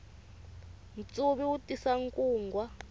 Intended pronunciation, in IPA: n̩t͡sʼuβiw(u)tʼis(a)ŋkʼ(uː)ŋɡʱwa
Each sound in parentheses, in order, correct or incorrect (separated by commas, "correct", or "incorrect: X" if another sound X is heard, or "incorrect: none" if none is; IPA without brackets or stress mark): correct, correct, correct